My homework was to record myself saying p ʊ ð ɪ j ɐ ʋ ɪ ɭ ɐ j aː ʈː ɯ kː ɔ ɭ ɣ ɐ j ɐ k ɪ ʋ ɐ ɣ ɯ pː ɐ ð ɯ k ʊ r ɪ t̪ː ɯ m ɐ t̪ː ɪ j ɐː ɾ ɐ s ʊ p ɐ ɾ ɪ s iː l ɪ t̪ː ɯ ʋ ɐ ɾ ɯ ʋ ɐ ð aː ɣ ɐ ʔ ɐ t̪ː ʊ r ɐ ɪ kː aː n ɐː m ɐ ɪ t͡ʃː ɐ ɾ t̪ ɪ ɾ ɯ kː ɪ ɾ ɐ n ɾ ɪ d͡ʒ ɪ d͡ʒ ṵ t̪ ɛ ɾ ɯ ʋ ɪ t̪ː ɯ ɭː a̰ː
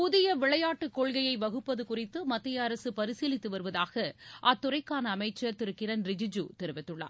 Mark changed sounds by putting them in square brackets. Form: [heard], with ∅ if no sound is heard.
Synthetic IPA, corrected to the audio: p ʊ ð ɪ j ɐ ʋ ɪ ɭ ɐ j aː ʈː ɯ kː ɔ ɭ ɣ ɐ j ɐ [∅] ɪ ʋ ɐ ɣ ɯ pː ɐ ð ɯ k ʊ r ɪ t̪ː ɯ m ɐ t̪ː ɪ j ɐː ɾ ɐ s [ɯ] p ɐ ɾ ɪ s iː l ɪ t̪ː ɯ ʋ ɐ ɾ ɯ ʋ ɐ ð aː ɣ ɐ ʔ ɐ t̪ː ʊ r ɐ ɪ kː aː n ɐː m ɐ ɪ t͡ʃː ɐ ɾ t̪ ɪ ɾ ɯ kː ɪ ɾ ɐ n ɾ ɪ d͡ʒ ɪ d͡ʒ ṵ t̪ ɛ ɾ ɯ ʋ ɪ t̪ː ɯ ɭː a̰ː